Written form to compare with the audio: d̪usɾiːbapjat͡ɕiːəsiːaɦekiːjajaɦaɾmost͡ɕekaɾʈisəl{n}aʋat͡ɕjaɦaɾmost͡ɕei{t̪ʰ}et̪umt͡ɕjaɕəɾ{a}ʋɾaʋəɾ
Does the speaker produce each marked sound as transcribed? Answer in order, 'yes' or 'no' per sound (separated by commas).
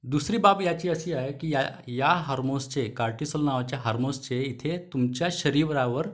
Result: yes, yes, no